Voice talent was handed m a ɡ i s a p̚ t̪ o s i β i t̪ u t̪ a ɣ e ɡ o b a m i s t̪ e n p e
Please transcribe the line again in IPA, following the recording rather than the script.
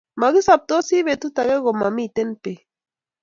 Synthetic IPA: m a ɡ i s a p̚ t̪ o s i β e t̪ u t̪ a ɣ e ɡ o m a m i t̪ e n p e